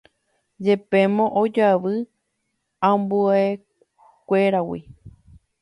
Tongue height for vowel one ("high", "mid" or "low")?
mid